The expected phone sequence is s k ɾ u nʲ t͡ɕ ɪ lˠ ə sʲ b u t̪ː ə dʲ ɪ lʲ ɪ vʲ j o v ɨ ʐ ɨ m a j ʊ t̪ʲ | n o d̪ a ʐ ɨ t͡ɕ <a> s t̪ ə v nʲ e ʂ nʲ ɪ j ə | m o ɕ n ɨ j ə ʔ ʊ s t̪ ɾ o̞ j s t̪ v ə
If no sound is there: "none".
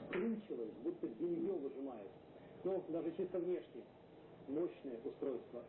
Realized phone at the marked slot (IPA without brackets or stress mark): i